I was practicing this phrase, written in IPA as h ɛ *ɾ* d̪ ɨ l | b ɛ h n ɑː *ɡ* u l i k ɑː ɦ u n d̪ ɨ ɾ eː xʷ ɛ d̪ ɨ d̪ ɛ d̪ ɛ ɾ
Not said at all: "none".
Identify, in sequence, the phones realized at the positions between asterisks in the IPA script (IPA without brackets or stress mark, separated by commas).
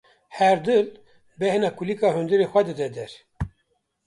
ɾ, k